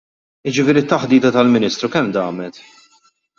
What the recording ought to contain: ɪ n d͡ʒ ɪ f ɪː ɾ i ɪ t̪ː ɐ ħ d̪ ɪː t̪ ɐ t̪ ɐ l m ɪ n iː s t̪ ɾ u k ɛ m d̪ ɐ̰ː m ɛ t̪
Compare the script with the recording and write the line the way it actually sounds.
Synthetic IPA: ɪ d͡ʒ ɪ f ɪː ɾ i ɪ t̪ː ɐ ħ d̪ iː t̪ ɐ t̪ ɐ l m ɪ n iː s t̪ ɾ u k ɛ m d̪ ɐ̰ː m ɛ t̪

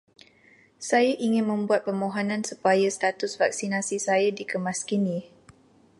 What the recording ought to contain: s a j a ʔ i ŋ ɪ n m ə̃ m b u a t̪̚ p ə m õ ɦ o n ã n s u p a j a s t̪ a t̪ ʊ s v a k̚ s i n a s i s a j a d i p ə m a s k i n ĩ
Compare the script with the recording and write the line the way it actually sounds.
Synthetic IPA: s a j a ʔ i ŋ ɪ n m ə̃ m b u a t̪̚ p ə m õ ɦ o n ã n s u p a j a s t̪ a t̪ ʊ s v a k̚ s i n a s i s a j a d i k ə m a s k i n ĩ

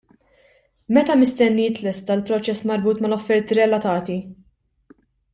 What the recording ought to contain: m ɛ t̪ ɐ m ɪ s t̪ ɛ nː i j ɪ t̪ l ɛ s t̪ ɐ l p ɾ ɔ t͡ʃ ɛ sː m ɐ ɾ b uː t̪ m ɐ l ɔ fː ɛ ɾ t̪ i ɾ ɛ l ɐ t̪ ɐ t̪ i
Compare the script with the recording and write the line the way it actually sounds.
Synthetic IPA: m ɛ t̪ ɐ m ɪ s t̪ ɛ nː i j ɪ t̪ l ɛ s t̪ ɐ l p ɾ ɔ t͡ʃ ɛ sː m ɐ ɾ b uː t̪ m ɐ l ɔ fː ɛ ɾ t̪ i ɾ ɛ l ɐ t̪ ɐː t̪ i

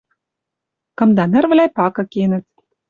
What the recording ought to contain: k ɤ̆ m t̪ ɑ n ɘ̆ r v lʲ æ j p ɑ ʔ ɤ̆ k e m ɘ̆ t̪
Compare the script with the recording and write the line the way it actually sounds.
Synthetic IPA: k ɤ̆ m d̪ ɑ n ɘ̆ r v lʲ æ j p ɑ k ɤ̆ k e n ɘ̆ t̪

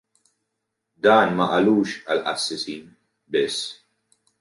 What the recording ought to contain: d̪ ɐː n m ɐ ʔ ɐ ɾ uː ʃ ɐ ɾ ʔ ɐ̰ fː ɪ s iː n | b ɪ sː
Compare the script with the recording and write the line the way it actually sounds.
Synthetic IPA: d̪ ɐː n m ɐ ʔ ɐ l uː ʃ ɐ l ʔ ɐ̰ sː ɪ s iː n | b ɪ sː

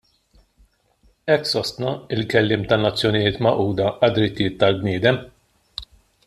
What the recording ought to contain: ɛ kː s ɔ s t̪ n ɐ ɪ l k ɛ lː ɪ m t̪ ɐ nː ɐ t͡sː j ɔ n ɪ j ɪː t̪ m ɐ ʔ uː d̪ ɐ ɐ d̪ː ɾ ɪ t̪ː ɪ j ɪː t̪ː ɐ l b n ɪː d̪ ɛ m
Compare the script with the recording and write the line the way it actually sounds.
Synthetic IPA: ɛ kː s ɔ s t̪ n ɐ ɪ l k ɛ lː ɪː m t̪ ɐ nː ɐ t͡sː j ɔ n ɪ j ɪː t̪ m ɐ ʔ uː d̪ ɐ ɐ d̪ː ɾ ɪ t̪ː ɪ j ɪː t̪ː ɐ l b n ɪː d̪ ɛ m

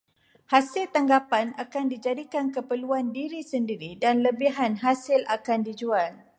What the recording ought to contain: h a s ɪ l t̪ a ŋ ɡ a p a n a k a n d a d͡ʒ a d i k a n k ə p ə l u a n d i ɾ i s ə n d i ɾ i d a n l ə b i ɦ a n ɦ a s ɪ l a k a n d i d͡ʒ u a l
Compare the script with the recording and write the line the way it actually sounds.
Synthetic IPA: h a s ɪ l t̪ a ŋ ɡ a p a n a k a n d i d͡ʒ a d i k a n k ə p ə l u a n d i ɾ i s ə n d i ɾ i d a n l ə b i ɦ a n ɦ a s ɪ l a k a n d i d͡ʒ u a l

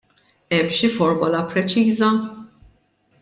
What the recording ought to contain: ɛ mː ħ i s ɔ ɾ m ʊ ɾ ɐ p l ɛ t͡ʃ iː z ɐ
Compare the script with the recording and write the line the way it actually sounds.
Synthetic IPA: ɛ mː ʃ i f ɔ ɾ m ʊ l ɐ p ɾ ɛ t͡ʃ iː z ɐ

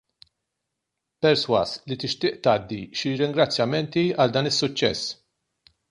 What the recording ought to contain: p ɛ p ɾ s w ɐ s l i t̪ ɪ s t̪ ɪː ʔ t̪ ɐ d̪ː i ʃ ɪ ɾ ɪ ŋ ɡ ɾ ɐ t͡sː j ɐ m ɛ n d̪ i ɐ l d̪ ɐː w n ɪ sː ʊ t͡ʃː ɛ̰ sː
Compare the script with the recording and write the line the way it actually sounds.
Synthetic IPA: p ɛ ɾ s w ɐ s l i t̪ ɪ ʃ t̪ ɪː ʔ t̪ ɐː d̪ː i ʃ i ɾ ɪ ŋ ɡ ɾ ɐ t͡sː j ɐ m ɛ n t̪ i ɐ l d̪ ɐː n ɪ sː ʊ t͡ʃː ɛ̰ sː

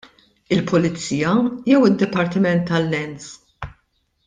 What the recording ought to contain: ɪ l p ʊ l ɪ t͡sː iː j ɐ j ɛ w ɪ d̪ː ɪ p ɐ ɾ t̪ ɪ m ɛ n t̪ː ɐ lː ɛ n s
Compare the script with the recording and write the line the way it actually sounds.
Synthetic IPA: ɪ l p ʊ l ɪ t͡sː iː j ɐ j ɛ w ɪ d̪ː ɪ p ɐ ɾ t̪ ɪ m ɛ n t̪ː ɐ lː ɛ n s

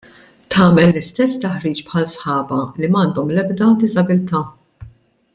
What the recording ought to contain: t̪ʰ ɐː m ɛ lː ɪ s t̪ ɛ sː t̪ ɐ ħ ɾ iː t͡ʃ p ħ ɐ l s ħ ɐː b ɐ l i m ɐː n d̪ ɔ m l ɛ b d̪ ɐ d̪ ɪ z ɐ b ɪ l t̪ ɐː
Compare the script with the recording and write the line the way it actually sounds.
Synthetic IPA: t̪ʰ ɐː m ɛ lː ɪ s t̪ ɛ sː t̪ ɐ ħ ɾ iː t͡ʃ p ħ ɐ l s ħ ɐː b ɐ l i m ɐː n d̪ ɔ m l ɛ b d̪ ɐ d̪ ɪ z ɐ b ɪ l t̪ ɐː

